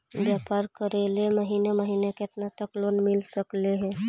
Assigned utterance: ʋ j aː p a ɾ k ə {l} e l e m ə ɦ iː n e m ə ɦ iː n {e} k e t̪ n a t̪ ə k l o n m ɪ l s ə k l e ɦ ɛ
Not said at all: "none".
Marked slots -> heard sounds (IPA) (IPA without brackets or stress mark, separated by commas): ɾ, e